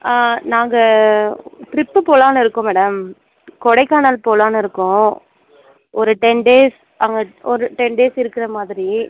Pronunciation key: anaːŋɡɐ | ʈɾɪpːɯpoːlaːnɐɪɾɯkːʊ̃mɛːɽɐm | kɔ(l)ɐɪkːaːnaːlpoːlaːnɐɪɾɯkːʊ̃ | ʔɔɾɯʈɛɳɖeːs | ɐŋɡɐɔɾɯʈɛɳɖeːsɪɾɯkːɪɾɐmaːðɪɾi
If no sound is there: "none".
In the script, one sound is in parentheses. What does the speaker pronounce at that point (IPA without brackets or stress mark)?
ɽ